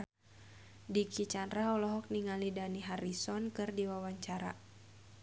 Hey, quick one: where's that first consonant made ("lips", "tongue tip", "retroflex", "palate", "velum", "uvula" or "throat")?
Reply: tongue tip